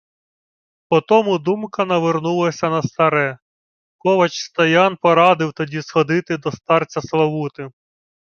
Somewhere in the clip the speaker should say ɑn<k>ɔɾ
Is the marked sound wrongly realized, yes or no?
yes